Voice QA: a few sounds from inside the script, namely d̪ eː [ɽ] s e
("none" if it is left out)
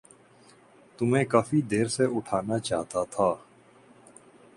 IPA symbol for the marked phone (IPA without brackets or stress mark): ɾ